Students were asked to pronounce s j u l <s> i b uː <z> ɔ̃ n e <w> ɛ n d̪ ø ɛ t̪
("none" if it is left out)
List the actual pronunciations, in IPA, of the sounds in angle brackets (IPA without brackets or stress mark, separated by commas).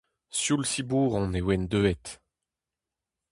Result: s, ʁ, w